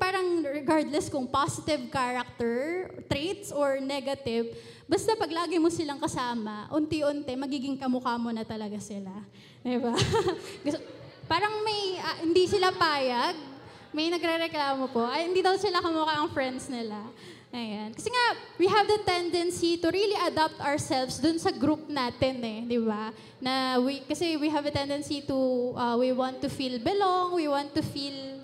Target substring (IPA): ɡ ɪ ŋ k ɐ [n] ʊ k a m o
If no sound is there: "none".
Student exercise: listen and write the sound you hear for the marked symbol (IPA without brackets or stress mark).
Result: m